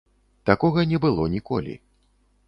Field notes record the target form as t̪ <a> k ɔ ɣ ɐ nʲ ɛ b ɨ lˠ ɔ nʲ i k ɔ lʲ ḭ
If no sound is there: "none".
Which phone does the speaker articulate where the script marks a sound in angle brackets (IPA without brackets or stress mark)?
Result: a